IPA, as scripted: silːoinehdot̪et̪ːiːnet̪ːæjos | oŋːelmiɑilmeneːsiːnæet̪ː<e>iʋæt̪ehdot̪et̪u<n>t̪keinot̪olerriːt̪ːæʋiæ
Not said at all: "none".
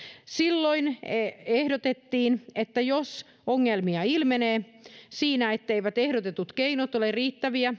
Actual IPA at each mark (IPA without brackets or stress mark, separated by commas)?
e, none